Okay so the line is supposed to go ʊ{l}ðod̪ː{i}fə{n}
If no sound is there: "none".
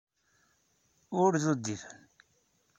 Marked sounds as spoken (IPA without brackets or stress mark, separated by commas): ɾ, i, n